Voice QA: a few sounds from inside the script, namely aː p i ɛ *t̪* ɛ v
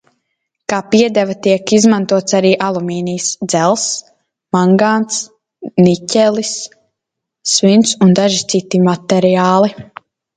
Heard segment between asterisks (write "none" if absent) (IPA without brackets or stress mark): d̪